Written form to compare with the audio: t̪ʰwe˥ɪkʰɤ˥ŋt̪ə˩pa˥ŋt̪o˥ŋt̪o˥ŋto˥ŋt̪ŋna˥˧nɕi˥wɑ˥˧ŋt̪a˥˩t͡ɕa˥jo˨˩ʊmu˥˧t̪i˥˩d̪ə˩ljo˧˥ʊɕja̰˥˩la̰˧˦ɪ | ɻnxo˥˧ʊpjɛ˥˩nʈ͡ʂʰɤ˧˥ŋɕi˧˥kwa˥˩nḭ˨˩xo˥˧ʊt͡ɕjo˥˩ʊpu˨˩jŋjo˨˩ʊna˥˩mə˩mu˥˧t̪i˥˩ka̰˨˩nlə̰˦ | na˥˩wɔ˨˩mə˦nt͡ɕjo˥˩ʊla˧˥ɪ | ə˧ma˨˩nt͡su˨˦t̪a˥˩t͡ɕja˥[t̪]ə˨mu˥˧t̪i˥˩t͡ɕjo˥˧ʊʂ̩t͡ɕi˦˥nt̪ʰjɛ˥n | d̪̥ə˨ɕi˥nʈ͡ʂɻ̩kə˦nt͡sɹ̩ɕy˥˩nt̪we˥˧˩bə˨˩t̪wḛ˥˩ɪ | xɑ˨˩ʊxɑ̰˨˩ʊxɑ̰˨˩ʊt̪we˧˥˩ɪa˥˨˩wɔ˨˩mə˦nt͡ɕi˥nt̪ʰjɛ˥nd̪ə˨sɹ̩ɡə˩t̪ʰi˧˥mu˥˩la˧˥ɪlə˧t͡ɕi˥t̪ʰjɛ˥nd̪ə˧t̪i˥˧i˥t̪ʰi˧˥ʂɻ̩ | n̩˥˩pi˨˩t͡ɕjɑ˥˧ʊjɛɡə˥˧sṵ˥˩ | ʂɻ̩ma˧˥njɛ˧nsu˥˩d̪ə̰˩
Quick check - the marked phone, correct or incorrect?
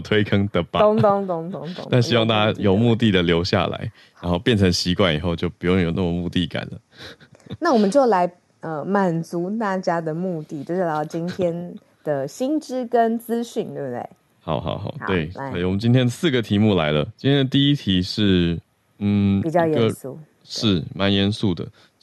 incorrect